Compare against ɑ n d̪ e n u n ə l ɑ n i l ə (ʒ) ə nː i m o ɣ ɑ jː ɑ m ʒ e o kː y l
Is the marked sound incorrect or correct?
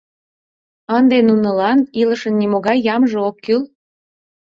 incorrect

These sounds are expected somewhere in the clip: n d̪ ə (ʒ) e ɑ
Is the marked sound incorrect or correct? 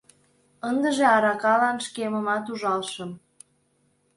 correct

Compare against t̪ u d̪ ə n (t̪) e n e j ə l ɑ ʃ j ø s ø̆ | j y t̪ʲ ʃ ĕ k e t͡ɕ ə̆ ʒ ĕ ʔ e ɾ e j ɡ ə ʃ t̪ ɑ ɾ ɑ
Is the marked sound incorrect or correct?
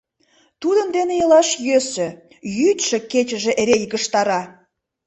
incorrect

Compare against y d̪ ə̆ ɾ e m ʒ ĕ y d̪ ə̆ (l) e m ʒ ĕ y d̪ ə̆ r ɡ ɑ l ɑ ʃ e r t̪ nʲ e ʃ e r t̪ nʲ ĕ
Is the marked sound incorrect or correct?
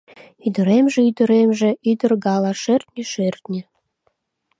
incorrect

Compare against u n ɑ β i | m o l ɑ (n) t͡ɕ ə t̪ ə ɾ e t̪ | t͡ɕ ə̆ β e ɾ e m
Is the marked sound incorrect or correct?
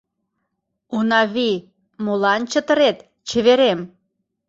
correct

